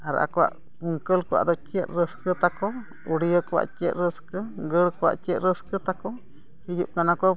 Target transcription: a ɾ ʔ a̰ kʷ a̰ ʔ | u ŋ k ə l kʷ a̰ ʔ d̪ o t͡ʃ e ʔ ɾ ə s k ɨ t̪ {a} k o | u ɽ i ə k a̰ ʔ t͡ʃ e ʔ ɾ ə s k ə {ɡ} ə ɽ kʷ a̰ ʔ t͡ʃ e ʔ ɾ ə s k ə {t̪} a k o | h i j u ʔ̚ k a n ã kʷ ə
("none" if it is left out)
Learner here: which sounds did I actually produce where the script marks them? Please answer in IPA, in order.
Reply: a, ɡ, t̪

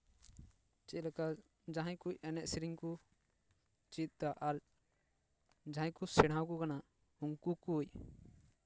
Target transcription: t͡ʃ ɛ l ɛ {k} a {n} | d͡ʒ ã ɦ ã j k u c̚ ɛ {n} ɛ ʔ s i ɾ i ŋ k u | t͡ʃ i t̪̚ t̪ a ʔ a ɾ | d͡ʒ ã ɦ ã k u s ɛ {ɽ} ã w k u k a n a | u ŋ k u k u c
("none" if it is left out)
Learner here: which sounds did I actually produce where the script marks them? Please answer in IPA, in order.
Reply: k, none, n, ɽ

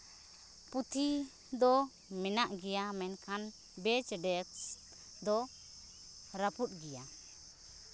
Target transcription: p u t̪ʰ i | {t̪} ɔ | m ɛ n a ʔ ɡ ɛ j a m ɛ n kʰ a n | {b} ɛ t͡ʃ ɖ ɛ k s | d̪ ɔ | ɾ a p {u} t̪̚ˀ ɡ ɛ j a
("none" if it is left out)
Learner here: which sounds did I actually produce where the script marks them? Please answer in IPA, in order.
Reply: d̪, b, u

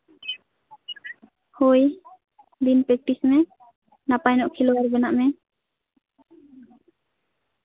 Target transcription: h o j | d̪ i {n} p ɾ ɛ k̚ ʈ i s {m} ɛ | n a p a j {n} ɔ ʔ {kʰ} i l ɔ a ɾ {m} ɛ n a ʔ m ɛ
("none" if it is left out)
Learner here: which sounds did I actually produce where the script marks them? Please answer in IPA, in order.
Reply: n, m, n, kʰ, b

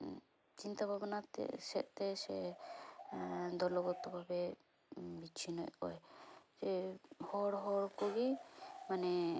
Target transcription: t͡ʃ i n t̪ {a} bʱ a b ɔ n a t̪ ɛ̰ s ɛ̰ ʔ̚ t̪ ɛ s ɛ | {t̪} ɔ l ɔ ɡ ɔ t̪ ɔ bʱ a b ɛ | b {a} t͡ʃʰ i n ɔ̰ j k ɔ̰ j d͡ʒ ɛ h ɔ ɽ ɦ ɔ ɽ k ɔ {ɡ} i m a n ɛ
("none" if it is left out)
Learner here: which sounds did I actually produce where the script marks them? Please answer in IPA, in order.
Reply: a, d̪, i, ɡ

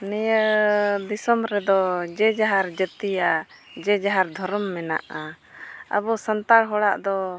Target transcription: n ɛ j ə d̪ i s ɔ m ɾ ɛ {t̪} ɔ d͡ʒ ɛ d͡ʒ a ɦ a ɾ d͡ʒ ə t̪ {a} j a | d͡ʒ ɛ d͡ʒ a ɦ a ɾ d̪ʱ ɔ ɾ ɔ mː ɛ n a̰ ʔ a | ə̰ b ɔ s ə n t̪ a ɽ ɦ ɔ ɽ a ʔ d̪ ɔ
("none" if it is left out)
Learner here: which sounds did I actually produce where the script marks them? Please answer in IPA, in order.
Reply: d̪, i

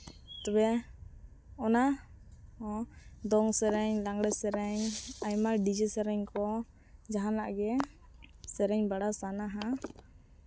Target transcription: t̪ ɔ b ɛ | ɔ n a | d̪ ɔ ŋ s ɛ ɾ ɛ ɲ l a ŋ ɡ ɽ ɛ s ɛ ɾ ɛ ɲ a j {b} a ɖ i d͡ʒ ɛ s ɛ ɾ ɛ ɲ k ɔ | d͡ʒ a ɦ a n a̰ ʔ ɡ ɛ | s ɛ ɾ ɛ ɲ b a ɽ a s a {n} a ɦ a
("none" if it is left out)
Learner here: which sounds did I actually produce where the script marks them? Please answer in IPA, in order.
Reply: m, n

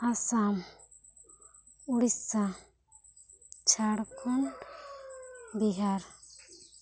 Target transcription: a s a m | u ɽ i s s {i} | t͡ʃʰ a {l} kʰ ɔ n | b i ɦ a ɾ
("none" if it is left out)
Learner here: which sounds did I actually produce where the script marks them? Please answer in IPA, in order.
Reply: a, ɽ

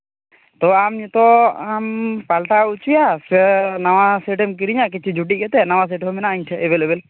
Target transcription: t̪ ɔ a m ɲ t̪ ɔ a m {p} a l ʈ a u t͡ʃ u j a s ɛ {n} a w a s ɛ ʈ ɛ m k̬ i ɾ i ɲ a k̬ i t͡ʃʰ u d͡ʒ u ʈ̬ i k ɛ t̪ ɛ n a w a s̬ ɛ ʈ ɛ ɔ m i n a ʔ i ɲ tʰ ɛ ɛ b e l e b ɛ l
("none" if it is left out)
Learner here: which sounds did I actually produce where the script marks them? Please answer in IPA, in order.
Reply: p, n

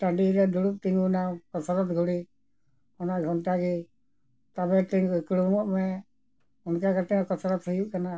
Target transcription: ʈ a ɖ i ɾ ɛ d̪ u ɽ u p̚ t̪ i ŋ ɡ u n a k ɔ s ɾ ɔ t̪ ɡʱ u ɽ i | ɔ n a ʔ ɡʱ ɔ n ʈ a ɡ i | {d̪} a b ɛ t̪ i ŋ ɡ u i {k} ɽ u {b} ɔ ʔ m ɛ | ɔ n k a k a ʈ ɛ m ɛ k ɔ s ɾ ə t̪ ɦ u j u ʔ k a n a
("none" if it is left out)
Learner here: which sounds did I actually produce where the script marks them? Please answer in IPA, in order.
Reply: t̪, k, m

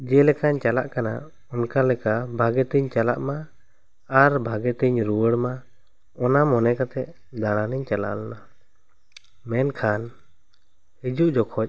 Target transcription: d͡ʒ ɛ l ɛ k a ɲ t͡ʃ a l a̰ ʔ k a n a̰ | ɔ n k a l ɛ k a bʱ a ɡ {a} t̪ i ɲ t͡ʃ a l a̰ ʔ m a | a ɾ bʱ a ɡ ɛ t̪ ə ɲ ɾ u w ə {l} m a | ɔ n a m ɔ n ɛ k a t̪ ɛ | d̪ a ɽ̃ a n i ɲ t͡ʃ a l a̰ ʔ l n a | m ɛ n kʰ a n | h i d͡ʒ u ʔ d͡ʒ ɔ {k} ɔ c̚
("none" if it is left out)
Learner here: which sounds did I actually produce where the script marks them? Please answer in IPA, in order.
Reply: ɛ, ɽ, kʰ

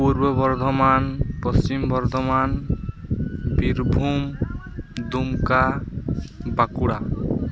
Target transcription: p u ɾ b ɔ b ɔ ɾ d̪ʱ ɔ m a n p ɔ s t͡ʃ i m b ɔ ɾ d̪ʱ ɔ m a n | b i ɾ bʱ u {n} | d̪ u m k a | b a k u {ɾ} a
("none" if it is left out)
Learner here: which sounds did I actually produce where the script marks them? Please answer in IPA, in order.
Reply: m, ɽ

